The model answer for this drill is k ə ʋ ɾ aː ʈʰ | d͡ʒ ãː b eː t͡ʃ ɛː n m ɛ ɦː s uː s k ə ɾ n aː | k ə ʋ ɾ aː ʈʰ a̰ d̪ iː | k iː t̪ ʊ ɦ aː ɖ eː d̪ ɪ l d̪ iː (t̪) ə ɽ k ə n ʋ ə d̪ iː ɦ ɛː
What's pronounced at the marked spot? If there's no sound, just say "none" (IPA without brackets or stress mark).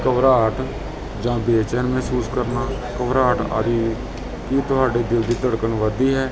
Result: t̪